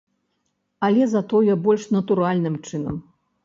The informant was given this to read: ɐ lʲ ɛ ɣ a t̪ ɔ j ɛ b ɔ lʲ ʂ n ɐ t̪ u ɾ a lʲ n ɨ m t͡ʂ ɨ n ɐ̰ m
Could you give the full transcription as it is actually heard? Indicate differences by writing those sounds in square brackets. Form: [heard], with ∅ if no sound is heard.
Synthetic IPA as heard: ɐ lʲ ɛ [z] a t̪ ɔ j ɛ b ɔ lʲ ʂ n ɐ t̪ u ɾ a lʲ n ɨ m t͡ʂ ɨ n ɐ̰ m